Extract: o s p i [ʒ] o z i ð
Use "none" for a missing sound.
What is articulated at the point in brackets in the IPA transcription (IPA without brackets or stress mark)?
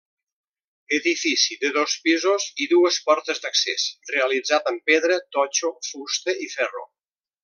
z